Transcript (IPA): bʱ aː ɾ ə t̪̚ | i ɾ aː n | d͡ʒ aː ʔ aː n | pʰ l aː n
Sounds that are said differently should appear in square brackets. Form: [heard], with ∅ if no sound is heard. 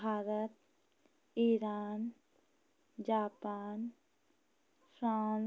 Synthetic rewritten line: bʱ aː ɾ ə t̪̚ | i ɾ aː n | d͡ʒ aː [p] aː n | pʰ [ɾ] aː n